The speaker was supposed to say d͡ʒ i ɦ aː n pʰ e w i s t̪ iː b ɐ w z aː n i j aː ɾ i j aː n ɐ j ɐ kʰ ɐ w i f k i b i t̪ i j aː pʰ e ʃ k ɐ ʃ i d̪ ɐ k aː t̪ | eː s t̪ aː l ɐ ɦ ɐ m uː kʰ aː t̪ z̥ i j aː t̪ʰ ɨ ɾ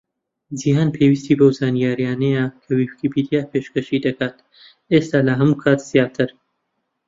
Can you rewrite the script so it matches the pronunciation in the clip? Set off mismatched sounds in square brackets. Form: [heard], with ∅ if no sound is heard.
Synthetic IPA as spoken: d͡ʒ i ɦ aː n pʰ e w i s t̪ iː b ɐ w z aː n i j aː ɾ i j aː n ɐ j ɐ kʰ ɐ w i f k i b i [d̪] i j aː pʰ e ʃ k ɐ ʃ i d̪ ɐ k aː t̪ | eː s t̪ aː l ɐ ɦ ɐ m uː kʰ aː t̪ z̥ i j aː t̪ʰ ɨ ɾ